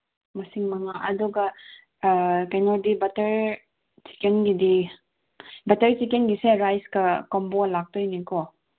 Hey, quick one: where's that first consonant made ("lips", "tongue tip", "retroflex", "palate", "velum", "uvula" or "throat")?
lips